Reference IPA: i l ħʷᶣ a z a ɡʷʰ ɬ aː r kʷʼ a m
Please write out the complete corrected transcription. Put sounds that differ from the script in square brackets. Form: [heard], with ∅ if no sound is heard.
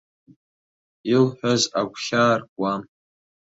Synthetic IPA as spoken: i l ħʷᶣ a z a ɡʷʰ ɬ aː r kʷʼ a m